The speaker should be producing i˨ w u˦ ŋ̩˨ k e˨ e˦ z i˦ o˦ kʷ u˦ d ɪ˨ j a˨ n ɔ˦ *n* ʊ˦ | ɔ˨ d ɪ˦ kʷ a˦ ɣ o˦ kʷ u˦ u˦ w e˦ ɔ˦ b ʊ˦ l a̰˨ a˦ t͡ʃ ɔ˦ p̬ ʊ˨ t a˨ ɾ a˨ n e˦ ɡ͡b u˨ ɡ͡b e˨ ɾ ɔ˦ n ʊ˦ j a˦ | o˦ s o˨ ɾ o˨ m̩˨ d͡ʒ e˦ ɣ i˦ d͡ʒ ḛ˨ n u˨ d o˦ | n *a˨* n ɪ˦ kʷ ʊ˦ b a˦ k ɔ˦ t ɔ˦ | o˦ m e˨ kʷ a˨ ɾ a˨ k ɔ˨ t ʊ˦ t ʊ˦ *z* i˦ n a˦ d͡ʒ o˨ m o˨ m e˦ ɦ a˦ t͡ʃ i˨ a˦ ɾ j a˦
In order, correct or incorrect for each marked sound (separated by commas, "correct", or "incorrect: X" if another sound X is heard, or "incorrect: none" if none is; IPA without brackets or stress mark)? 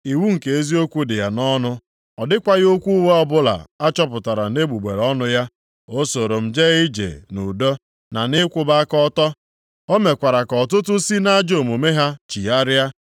correct, correct, incorrect: s